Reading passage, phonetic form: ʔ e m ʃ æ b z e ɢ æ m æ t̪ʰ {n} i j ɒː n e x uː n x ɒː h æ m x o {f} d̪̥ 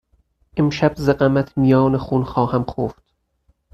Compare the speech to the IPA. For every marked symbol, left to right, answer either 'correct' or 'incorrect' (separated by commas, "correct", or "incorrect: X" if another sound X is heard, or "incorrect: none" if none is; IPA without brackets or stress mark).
incorrect: m, correct